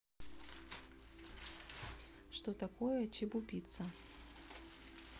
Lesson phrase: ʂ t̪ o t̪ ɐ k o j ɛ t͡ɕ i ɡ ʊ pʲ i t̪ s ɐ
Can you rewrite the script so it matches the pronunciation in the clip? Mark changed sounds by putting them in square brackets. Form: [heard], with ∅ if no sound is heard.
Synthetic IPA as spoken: ʂ t̪ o t̪ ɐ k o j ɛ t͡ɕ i [b] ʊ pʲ i t̪ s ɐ